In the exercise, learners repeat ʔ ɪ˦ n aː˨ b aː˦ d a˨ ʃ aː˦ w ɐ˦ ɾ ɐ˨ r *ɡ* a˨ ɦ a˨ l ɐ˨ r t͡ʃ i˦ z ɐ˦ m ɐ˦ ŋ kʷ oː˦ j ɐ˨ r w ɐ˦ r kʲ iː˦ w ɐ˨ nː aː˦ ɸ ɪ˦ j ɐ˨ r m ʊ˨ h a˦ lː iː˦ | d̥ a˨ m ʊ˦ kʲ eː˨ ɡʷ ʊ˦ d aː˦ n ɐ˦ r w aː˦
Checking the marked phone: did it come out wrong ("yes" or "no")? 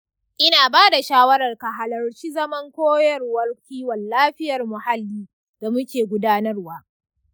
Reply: yes